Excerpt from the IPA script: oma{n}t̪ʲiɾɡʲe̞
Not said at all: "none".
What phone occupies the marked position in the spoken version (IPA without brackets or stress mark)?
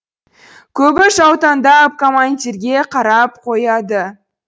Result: n